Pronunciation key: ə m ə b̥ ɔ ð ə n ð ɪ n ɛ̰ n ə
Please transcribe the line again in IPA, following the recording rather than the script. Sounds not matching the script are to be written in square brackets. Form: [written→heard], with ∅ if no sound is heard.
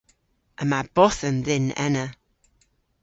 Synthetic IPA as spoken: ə m [ə→a] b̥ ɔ [ð→θ] ə n ð ɪ n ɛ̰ n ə